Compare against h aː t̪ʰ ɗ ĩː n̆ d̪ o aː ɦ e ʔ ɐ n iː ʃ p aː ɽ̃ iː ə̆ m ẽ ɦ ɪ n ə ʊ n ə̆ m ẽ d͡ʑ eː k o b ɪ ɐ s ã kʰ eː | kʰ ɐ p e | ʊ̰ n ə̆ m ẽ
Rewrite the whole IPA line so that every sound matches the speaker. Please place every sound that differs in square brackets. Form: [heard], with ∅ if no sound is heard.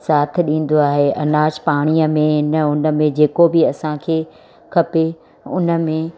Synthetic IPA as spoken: [s] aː t̪ʰ ɗ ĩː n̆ d̪ o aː ɦ e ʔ ɐ n [aː] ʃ p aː ɽ̃ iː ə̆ m ẽ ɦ ɪ n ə ʊ n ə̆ m ẽ d͡ʑ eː k o b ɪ ɐ s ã kʰ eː | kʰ ɐ p e | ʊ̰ n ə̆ m ẽ